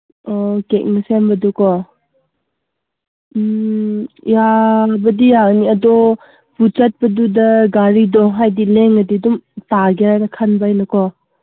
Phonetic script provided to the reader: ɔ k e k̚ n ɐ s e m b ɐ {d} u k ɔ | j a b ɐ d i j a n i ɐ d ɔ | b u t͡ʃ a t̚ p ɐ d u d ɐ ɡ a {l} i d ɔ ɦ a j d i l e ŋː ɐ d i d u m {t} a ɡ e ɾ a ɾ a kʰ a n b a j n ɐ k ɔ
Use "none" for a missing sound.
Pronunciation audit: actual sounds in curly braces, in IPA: d, ɾ, t

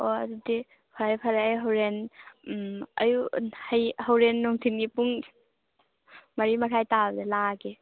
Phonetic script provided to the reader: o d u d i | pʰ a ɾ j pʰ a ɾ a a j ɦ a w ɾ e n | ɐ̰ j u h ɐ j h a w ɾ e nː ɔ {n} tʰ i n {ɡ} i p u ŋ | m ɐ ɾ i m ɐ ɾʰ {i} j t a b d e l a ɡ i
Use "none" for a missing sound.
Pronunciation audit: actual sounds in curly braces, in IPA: ŋ, ɡ, a

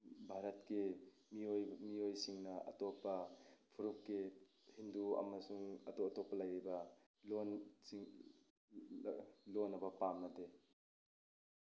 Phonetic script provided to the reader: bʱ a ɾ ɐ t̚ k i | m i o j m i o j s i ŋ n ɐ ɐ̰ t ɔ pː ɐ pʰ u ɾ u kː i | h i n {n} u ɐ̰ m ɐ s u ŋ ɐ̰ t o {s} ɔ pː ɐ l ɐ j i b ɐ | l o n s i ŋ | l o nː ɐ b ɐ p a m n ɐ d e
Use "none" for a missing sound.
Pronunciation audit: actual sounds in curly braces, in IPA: d, t

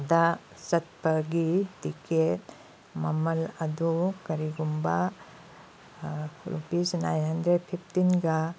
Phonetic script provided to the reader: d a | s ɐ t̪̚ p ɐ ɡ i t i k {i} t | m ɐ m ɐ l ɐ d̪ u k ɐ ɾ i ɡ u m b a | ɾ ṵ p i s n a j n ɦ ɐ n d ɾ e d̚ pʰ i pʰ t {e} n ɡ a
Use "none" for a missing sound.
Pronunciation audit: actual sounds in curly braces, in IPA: e, i

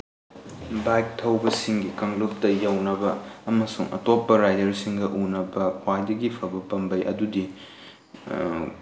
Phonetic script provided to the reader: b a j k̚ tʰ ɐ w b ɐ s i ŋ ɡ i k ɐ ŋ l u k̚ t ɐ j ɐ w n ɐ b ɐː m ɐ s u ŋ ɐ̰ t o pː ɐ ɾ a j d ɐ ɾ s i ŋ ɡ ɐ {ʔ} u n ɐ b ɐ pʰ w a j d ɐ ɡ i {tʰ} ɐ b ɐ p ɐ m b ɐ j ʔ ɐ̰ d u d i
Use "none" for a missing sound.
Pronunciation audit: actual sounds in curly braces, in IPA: ʔ, pʰ

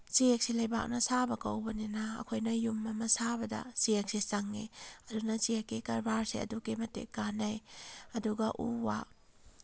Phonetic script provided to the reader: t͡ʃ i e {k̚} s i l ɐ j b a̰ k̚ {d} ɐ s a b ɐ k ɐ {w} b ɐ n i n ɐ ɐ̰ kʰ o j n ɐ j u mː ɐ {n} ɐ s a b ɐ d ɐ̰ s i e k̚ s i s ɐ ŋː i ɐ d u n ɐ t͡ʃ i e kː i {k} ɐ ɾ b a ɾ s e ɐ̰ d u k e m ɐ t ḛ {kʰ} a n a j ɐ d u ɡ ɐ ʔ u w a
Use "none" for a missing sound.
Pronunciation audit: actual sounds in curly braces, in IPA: k̚, n, w, m, k, k

